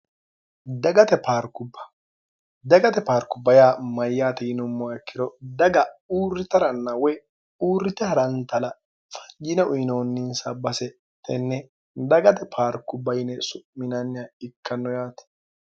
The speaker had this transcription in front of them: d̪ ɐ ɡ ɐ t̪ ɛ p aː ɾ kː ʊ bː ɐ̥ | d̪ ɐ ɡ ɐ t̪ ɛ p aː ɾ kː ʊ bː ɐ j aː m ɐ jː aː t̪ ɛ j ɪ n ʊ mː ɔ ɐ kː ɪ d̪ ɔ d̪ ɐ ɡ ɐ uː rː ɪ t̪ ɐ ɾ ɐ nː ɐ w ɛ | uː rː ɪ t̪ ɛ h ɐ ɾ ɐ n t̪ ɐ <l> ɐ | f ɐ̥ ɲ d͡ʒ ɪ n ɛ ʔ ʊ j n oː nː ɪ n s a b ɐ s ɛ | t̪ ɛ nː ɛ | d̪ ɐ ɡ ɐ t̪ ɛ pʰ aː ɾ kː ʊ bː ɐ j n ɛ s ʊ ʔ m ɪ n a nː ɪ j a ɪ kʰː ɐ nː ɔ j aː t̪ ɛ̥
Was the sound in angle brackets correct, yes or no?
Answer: yes